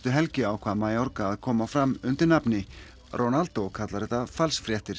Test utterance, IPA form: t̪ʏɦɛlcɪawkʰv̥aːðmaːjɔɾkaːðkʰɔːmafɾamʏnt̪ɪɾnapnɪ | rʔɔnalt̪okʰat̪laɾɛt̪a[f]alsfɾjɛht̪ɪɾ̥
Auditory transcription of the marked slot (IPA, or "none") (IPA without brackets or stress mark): f